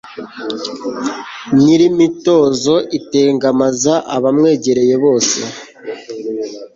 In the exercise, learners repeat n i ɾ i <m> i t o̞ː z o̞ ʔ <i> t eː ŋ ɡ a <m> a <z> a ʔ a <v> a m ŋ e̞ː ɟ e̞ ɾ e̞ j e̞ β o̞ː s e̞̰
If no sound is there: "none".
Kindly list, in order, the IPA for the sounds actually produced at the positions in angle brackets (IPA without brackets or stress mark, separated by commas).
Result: m, i, m, z, β